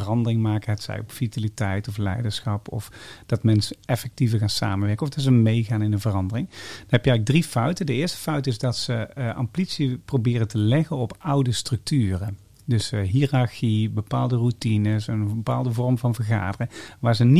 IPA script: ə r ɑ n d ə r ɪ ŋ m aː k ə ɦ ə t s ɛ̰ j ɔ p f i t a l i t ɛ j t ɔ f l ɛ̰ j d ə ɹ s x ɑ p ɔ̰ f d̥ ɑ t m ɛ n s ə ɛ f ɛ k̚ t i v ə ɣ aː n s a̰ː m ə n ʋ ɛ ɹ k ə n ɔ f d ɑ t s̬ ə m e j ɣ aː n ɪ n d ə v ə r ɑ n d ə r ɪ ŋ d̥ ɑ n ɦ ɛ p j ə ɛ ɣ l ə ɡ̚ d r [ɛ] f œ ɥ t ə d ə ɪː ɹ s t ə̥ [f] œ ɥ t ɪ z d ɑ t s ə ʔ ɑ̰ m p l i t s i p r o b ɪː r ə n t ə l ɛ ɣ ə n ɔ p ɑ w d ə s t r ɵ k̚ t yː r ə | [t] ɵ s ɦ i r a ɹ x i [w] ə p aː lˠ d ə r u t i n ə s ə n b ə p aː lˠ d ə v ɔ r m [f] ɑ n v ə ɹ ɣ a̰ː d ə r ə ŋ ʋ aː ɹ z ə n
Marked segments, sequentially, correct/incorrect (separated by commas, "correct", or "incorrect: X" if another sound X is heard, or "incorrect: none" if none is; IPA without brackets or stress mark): incorrect: i, correct, incorrect: d, incorrect: b, incorrect: v